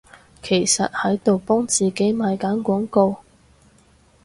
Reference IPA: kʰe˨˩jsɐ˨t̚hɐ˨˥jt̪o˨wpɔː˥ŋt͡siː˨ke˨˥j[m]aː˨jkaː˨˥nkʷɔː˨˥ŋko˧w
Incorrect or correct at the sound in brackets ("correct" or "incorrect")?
correct